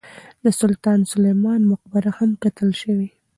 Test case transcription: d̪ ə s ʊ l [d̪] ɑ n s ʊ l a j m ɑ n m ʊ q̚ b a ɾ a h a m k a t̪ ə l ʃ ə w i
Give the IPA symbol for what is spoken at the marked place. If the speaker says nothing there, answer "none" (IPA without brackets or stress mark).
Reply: t̪